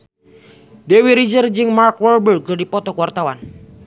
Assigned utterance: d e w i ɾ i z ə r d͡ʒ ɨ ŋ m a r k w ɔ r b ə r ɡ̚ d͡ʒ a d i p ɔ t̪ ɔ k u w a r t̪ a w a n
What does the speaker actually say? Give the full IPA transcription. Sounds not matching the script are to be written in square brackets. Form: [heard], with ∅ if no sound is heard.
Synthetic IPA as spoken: d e w i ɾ i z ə r d͡ʒ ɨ ŋ m a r k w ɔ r b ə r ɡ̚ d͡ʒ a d i p ɔ t̪ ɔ k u w a r t̪ a w a n